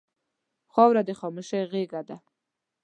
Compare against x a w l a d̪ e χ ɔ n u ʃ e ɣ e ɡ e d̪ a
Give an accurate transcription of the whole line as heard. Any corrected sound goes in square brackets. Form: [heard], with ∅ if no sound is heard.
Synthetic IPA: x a w [ɾ] a d̪ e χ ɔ [m] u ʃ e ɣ e ɡ [a] d̪ a